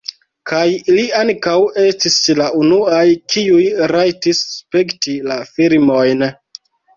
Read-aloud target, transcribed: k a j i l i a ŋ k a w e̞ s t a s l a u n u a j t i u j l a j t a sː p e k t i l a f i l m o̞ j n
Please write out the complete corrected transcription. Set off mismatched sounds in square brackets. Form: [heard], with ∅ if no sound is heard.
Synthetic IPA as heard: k a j i l i a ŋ k a w e̞ s t [i] s l a u n u a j [k] i u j [ɾ] a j t [i] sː p e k t i l a f i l m o̞ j n